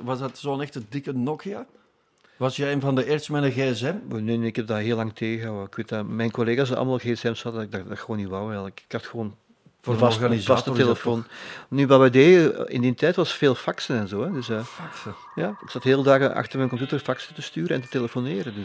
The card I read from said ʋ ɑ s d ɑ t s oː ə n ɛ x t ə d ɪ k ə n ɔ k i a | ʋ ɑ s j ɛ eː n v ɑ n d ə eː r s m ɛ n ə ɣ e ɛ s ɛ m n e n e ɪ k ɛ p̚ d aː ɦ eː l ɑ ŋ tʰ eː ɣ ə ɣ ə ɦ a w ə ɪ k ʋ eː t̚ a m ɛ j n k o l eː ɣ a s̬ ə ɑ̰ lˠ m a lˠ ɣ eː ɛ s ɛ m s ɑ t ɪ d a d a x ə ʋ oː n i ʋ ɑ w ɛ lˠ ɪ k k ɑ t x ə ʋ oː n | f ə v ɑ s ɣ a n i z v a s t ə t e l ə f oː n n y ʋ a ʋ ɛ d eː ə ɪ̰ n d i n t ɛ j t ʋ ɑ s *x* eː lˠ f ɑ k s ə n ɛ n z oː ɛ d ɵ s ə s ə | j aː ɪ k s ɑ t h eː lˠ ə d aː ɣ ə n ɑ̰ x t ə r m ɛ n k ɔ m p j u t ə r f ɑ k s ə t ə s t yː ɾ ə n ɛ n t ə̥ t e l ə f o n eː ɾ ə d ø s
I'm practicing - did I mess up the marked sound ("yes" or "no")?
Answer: yes